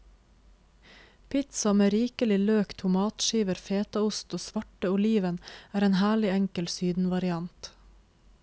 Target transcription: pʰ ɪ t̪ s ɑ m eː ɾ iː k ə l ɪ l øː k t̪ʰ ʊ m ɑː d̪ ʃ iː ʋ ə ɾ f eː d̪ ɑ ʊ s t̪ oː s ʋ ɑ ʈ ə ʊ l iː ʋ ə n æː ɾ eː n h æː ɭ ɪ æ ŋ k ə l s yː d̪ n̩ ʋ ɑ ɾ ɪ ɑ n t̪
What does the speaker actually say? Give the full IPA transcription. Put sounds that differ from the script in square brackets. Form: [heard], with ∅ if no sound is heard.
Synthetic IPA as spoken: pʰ ɪ t̪ s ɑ m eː ɾ iː k ə l ɪ l øː k t̪ʰ ʊ m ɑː [t̪] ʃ iː ʋ ə ɾ f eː [t̪] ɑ ʊ s t̪ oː s ʋ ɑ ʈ ə ʊ l iː ʋ ə n æː ɾ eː n h æː ɭ ɪ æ ŋ k ə l s yː d̪ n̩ ʋ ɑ ɾ ɪ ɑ n t̪